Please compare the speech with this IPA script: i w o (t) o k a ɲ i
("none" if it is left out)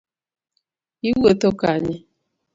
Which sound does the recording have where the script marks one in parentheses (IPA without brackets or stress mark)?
t